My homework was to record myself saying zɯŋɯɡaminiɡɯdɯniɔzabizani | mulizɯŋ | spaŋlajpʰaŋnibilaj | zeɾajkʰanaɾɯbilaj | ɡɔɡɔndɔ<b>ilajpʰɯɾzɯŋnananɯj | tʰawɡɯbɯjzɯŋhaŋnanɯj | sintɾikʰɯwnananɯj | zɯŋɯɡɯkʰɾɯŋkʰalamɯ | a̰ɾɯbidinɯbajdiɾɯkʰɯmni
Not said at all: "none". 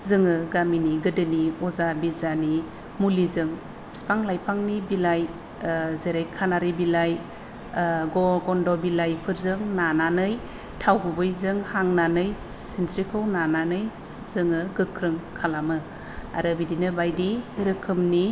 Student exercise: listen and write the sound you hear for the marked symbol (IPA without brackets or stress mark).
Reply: b